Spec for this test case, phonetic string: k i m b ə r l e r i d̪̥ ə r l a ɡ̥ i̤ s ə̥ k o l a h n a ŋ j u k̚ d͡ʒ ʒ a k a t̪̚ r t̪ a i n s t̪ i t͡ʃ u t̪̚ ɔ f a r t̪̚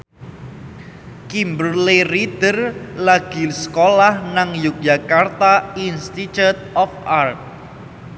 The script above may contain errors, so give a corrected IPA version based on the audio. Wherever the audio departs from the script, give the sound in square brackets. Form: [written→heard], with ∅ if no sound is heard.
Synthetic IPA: k i m b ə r l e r i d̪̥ ə r l a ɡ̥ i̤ s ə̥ k o l a h n a ŋ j u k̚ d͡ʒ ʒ a k a [t̪̚→∅] r t̪ a i n s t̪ i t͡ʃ u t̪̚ ɔ f a r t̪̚